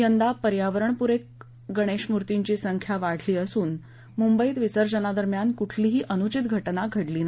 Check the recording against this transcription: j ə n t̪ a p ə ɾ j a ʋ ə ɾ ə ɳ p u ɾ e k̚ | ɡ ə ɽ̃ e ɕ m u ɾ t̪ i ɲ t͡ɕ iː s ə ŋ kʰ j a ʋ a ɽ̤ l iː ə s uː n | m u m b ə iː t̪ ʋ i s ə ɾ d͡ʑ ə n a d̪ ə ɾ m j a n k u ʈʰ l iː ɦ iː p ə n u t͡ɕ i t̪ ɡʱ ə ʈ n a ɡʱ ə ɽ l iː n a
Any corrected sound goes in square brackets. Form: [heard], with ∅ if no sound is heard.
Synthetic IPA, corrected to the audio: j ə n [d̪] a p ə ɾ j a ʋ ə ɾ ə ɳ p u ɾ e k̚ | ɡ ə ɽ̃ e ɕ m u ɾ t̪ i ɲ t͡ɕ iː s ə ŋ kʰ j a ʋ a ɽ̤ l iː ə s uː n | m u m b ə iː t̪ ʋ i s ə ɾ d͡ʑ ə n a d̪ ə ɾ m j a n k u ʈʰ l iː ɦ iː [ʔ] ə n u t͡ɕ i t̪ ɡʱ ə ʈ n a ɡʱ ə ɽ l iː n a